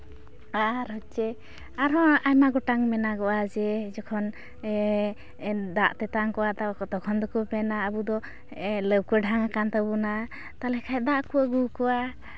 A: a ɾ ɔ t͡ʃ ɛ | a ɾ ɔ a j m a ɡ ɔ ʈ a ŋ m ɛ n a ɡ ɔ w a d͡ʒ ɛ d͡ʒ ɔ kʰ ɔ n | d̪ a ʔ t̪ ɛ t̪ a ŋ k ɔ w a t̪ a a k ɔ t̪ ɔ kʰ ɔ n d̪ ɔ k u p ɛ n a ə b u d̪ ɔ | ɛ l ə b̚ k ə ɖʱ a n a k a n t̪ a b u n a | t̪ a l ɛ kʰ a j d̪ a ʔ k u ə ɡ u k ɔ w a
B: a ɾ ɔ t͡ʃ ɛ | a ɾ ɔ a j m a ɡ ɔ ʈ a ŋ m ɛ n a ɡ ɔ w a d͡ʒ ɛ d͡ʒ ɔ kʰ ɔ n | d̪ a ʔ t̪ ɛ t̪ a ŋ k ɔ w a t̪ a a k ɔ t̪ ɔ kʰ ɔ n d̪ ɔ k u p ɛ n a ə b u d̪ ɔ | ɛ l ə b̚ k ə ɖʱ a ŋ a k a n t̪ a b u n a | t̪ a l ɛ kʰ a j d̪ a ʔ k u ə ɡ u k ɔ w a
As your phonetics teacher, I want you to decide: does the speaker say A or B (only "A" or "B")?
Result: B